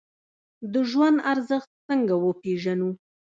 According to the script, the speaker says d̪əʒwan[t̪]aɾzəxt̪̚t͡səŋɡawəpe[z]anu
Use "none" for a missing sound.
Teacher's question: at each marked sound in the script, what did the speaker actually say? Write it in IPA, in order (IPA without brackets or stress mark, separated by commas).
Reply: d̪, ʒ